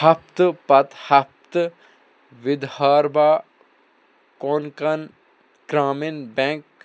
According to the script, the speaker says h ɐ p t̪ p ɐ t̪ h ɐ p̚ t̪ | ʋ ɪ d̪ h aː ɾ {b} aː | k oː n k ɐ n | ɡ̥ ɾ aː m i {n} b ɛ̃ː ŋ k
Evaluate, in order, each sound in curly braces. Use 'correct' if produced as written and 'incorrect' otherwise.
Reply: correct, correct

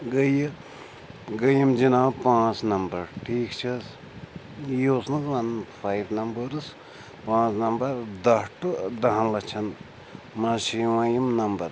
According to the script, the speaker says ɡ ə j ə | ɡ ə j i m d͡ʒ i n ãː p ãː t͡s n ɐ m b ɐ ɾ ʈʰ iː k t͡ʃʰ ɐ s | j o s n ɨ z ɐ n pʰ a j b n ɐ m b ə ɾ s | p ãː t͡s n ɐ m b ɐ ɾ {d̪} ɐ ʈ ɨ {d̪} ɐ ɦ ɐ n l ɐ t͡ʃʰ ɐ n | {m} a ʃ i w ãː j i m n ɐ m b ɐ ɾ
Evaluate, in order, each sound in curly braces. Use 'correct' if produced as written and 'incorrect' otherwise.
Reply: correct, correct, correct

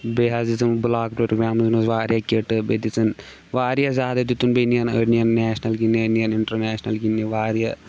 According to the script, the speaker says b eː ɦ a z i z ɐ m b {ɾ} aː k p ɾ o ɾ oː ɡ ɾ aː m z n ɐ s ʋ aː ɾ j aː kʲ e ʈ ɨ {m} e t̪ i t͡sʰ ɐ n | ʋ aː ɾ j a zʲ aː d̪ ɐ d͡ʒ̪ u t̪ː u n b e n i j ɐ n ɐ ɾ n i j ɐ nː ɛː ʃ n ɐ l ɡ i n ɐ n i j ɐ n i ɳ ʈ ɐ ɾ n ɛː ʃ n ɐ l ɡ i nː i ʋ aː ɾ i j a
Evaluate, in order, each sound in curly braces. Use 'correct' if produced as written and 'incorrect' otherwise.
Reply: incorrect, incorrect

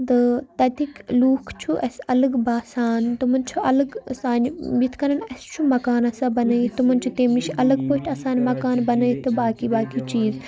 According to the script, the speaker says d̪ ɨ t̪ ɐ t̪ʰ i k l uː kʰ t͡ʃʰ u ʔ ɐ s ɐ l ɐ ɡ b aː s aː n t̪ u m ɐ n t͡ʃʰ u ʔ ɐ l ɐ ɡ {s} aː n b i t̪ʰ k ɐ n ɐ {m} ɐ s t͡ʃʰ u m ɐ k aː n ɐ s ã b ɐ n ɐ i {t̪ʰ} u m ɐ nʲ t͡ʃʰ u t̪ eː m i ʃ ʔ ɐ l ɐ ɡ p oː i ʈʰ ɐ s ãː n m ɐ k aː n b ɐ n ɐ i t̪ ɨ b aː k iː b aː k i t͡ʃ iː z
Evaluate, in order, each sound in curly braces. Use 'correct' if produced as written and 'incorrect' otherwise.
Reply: correct, incorrect, incorrect

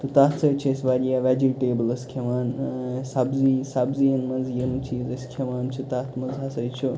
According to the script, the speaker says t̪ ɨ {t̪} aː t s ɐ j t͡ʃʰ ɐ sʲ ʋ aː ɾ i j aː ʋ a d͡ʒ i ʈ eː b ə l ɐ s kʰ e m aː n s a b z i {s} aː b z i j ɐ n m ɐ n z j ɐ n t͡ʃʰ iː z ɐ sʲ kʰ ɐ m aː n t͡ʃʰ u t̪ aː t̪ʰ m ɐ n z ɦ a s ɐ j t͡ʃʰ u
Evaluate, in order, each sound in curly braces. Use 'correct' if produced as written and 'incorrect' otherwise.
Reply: correct, correct

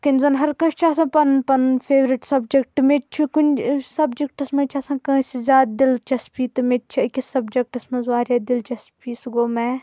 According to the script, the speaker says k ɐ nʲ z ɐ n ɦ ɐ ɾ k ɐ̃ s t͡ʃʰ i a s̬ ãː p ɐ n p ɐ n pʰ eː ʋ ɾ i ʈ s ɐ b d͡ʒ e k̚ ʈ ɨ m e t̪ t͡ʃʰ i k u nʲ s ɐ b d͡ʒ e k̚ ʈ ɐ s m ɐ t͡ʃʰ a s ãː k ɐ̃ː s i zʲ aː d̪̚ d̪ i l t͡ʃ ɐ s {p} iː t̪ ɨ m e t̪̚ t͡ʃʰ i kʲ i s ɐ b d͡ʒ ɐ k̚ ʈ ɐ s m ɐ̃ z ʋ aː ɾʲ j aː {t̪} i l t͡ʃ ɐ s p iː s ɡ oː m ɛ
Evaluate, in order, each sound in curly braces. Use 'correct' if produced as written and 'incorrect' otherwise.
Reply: correct, incorrect

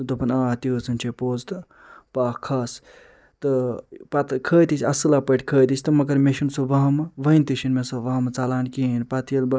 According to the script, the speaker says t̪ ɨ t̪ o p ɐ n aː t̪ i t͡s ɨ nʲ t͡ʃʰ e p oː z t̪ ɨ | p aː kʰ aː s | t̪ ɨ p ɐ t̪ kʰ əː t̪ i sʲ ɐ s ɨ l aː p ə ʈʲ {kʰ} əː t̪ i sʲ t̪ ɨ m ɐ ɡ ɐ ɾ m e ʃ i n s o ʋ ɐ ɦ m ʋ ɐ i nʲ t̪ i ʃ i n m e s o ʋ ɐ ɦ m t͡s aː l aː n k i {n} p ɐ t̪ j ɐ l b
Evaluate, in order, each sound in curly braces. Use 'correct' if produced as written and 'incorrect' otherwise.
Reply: correct, correct

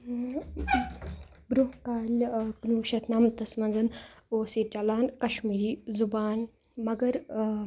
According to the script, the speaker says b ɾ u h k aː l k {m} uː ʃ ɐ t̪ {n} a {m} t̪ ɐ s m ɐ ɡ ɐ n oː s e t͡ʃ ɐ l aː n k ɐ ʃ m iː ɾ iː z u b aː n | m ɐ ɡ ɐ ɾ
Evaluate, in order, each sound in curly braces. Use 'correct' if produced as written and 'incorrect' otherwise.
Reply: incorrect, correct, correct

